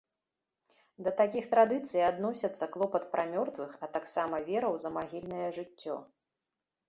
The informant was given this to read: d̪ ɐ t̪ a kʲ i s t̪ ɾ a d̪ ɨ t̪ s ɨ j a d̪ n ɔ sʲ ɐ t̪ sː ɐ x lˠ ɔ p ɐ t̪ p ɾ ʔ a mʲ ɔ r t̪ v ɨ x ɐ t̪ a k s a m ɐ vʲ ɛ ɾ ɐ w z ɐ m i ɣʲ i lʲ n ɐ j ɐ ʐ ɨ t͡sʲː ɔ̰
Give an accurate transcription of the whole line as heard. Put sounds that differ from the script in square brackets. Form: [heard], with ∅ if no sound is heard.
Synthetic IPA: d̪ ɐ t̪ a kʲ i [x] t̪ ɾ a d̪ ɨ t̪ s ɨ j a d̪ n ɔ sʲ ɐ t̪ sː ɐ [k] lˠ ɔ p ɐ t̪ p ɾ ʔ a mʲ ɔ r t̪ v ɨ x ɐ t̪ a k s a m ɐ vʲ ɛ ɾ ɐ w z ɐ m [a] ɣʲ i lʲ n ɐ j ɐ ʐ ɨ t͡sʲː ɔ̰